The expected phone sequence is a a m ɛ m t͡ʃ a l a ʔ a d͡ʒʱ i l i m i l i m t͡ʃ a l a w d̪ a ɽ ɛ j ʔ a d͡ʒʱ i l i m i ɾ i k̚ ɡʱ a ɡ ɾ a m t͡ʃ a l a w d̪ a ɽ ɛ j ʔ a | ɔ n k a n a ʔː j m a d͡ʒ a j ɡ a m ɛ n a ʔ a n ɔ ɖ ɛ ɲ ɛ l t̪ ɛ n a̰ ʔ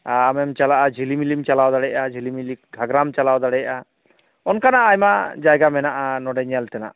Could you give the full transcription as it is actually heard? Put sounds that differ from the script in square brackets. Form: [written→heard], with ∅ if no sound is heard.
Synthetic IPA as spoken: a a m ɛ m t͡ʃ a l a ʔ a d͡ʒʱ i l i m i l i m t͡ʃ a l a w d̪ a ɽ ɛ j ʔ a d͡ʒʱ i l i m i [ɾ→l] i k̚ ɡʱ a ɡ ɾ a m t͡ʃ a l a w d̪ a ɽ ɛ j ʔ a | ɔ n k a n a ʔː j m a d͡ʒ a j ɡ a m ɛ n a ʔ a n ɔ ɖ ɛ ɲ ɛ l t̪ ɛ n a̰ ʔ